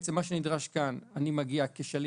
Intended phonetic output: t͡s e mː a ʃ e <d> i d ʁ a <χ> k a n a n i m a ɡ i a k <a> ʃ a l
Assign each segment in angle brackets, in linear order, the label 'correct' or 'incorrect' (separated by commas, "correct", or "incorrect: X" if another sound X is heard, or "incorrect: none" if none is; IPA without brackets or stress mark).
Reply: incorrect: n, incorrect: ʃ, incorrect: e